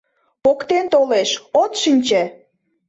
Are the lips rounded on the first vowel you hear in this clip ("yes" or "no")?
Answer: yes